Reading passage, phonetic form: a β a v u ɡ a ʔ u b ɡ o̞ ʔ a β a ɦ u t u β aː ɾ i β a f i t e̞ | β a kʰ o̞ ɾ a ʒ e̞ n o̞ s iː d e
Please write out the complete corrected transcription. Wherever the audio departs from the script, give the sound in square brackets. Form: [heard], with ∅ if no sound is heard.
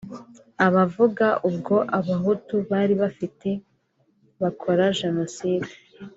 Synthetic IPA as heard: a β a v u ɡ a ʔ u b ɡ o̞ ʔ a β a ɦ u t u β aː ɾ i β a f i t e̞ | β a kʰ o̞ ɾ a ʒ e̞ n o̞ s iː d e